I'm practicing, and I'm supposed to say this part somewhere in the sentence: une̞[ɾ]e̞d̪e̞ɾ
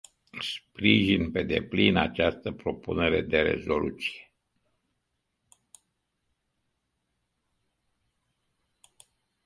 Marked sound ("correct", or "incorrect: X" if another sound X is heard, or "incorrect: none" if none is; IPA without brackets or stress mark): correct